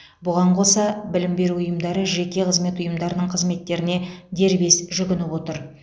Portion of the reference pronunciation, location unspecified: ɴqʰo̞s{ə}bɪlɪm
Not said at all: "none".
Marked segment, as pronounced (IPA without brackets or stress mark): ɑ